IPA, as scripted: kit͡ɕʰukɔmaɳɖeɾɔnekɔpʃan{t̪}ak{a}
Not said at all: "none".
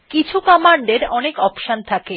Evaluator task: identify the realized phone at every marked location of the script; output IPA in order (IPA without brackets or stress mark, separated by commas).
t̪ʰ, e